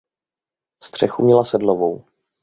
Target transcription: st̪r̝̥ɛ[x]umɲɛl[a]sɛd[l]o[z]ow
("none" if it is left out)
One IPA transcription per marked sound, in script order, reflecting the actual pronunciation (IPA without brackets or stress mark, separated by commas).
x, a, l, v